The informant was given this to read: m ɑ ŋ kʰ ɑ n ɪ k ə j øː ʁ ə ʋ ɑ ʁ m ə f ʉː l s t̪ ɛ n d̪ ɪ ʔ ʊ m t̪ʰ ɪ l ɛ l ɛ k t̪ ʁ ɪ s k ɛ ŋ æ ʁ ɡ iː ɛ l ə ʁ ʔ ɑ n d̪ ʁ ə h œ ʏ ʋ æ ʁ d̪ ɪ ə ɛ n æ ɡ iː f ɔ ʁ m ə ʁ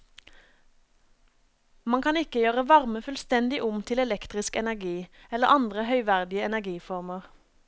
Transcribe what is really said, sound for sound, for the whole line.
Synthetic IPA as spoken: m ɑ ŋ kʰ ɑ n ɪ k ə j øː ʁ ə ʋ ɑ ʁ m ə f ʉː l s t̪ ɛ n d̪ ɪ ʔ ʊ m t̪ʰ ɪ l ɛ l ɛ k t̪ ʁ ɪ s k ɛ n æ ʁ ɡ iː ɛ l ə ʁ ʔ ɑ n d̪ ʁ ə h œ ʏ ʋ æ ʁ d̪ ɪ ə ɛ n æ ɡ iː f ɔ ʁ m ə ʁ